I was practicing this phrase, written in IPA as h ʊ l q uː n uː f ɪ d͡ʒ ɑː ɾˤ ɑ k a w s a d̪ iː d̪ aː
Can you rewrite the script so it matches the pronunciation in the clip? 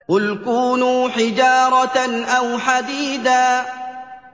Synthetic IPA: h ʊ l k uː n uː ħ ɪ d͡ʒ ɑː ɾˤ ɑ ʔ a w ħ a d̪ iː d̪ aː